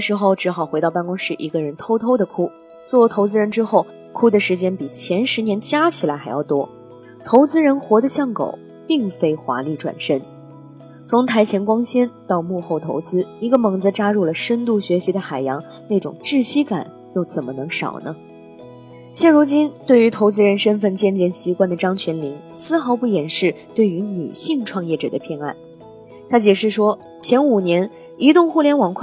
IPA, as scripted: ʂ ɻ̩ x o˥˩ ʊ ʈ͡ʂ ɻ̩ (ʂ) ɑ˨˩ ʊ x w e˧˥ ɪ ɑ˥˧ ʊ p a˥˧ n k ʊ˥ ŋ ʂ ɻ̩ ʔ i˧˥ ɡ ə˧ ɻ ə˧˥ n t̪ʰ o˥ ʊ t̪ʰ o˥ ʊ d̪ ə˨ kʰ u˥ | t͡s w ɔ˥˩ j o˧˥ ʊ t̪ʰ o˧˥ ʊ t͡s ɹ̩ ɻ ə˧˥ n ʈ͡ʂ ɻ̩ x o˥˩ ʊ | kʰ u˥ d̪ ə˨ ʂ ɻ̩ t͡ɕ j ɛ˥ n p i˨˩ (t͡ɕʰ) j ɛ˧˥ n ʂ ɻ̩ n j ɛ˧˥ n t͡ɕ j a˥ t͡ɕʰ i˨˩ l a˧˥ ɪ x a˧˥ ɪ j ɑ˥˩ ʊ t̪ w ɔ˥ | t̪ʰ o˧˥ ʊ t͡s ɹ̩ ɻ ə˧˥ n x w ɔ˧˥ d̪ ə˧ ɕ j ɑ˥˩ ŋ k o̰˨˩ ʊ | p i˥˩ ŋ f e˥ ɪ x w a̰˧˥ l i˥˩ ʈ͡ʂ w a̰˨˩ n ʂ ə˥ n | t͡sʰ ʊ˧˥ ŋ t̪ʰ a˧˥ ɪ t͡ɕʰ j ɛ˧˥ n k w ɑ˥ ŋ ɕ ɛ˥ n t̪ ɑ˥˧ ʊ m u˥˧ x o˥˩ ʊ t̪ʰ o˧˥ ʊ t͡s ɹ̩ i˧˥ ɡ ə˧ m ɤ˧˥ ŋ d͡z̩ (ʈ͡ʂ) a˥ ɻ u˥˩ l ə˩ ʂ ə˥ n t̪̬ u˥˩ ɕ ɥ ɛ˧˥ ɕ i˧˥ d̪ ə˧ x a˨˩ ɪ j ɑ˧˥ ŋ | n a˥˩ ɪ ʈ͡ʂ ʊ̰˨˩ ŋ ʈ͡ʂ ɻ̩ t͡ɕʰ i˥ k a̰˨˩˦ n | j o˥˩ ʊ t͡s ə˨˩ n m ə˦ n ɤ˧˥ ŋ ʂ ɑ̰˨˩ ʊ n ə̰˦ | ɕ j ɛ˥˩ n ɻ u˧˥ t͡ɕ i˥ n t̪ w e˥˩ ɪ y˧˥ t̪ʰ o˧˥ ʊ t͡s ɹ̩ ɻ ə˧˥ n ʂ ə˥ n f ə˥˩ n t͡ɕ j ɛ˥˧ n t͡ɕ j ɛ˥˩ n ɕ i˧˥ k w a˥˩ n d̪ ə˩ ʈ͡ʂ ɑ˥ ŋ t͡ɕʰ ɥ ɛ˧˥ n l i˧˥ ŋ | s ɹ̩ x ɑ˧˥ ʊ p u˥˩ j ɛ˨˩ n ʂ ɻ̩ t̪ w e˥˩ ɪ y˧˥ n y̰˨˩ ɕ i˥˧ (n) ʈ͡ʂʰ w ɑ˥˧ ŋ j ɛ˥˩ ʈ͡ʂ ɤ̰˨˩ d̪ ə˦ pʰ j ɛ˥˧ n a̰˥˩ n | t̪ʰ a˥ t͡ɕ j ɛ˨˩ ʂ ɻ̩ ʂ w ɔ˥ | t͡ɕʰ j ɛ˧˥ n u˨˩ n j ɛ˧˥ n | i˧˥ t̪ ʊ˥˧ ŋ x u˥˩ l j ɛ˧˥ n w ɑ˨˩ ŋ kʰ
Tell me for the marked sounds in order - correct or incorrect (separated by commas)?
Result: incorrect, correct, correct, incorrect